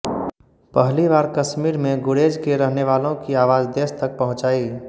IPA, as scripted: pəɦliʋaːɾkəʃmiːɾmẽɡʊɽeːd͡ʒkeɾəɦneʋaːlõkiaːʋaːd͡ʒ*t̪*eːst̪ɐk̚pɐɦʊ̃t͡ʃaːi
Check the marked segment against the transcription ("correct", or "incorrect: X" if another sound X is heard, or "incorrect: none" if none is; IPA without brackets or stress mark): incorrect: d̪